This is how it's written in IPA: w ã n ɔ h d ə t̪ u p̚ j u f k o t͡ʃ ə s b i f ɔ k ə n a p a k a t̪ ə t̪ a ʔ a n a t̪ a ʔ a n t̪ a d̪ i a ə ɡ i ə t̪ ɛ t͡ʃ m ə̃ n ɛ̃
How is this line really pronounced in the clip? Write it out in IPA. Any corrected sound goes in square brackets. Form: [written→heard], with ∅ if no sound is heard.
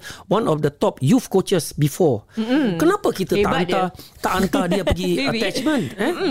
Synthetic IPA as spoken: w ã n ɔ [h→f] d ə t̪ [u→ɔ] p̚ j u f k o t͡ʃ ə s b i f ɔ k ə n a p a k [a→i] t̪ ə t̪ a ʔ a n a t̪ a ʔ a n t̪ a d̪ i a ə ɡ i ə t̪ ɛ t͡ʃ m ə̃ n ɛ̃